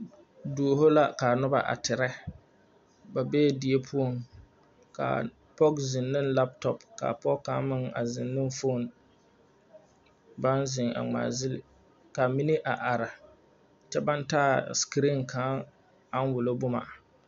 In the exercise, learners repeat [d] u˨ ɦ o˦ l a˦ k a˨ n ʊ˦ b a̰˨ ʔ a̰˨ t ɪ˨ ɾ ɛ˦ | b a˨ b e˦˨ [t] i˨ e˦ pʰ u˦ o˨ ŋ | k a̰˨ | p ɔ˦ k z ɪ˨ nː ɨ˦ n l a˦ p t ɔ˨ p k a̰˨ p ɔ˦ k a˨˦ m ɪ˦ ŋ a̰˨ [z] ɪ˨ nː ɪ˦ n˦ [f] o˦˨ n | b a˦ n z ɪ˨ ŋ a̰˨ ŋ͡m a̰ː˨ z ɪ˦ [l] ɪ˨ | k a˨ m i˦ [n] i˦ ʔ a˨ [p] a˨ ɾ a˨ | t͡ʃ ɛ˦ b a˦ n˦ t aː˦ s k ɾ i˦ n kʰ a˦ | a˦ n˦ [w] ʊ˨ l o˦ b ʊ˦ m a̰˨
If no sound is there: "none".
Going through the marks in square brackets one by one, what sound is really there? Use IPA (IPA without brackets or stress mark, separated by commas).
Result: d, d, z, f, l, n, ʔ, w